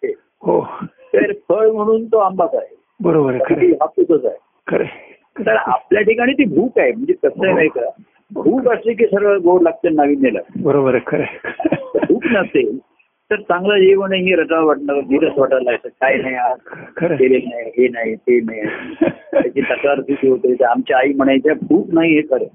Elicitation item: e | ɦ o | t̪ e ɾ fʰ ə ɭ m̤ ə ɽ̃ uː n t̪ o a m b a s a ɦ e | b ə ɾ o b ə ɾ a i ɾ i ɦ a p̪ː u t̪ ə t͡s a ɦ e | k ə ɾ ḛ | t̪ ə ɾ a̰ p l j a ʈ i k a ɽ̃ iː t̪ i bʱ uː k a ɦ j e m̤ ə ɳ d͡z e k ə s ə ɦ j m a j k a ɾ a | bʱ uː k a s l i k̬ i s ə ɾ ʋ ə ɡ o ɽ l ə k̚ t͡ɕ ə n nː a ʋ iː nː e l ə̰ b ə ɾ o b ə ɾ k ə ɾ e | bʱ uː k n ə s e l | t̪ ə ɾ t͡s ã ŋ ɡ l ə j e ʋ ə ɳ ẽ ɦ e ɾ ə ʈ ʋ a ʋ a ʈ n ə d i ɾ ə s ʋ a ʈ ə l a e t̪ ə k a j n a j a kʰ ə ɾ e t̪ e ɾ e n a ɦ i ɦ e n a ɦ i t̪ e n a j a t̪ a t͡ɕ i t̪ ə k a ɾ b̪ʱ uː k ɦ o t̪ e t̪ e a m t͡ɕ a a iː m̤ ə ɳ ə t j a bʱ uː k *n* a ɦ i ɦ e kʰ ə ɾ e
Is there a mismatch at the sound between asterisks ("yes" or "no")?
no